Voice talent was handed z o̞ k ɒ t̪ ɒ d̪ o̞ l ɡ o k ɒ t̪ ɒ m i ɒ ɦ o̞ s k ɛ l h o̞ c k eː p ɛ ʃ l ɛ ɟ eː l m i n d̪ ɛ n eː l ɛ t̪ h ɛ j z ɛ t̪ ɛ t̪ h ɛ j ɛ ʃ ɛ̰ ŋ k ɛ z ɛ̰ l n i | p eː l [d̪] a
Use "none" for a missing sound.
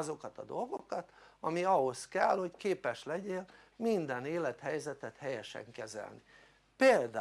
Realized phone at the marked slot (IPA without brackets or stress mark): d̪